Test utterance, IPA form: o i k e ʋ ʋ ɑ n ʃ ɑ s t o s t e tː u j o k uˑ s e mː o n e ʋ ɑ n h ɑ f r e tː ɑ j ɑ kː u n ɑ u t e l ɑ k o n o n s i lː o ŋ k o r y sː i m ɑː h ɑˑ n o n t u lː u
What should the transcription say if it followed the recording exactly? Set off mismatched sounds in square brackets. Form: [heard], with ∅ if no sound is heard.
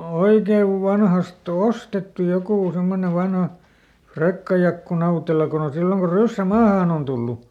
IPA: o i k e ʋ ʋ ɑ n [h] ɑ s t o s t e tː u j o k uˑ s e mː o n e ʋ ɑ n h ɑ f r e [kː] ɑ j ɑ kː u n ɑ u t e l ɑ k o n o n s i lː o ŋ k o r y sː [æ] m ɑː h ɑˑ n o n t u lː u